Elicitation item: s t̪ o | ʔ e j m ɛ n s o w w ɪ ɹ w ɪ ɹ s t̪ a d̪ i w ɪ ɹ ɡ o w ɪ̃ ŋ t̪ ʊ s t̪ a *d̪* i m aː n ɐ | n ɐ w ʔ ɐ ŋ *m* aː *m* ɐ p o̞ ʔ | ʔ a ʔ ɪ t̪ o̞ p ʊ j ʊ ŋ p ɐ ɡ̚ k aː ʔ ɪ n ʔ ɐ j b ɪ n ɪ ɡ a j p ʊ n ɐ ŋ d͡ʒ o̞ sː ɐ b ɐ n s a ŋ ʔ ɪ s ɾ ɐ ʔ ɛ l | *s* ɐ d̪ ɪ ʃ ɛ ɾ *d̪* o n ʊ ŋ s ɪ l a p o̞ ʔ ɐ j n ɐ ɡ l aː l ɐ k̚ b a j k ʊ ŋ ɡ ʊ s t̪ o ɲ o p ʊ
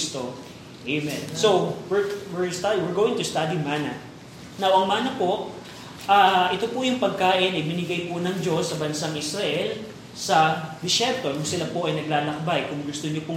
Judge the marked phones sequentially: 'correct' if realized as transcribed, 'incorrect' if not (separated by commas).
correct, correct, incorrect, correct, incorrect